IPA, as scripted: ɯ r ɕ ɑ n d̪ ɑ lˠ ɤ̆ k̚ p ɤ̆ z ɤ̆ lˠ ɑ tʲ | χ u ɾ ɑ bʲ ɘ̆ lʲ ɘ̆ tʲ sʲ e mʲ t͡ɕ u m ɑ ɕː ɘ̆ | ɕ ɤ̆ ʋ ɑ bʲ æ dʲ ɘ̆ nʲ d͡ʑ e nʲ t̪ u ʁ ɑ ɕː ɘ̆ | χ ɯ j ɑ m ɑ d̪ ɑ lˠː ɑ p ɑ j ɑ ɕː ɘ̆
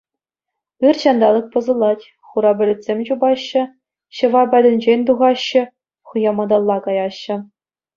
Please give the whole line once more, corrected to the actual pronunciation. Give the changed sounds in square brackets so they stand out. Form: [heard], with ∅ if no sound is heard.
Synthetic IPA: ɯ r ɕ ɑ n d̪ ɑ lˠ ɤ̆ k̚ p ɤ̆ z ɤ̆ lˠ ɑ tʲ | χ u ɾ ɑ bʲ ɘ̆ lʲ ɘ̆ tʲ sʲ e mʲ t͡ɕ u [b] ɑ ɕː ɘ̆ | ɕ ɤ̆ ʋ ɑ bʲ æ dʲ ɘ̆ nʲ d͡ʑ e nʲ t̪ u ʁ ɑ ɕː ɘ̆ | χ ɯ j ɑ m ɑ d̪ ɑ lˠː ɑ [k] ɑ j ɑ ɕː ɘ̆